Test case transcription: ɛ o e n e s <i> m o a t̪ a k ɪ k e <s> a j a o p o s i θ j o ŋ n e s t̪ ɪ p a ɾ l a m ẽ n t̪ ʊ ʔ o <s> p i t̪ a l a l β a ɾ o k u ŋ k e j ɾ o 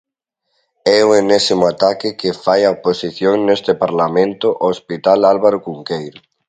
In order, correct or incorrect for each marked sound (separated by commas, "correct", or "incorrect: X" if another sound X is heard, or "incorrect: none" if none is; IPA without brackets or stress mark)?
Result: correct, incorrect: f, correct